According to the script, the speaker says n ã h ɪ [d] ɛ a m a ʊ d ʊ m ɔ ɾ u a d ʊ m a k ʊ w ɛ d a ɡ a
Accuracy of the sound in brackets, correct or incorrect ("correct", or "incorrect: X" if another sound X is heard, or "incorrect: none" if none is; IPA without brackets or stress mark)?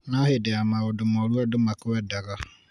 correct